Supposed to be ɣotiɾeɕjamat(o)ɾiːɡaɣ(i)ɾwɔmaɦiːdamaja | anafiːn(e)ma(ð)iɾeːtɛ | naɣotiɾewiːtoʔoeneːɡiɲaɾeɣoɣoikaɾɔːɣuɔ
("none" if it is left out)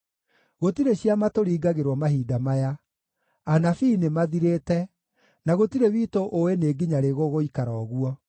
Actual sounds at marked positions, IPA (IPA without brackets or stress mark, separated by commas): o, e, e, ð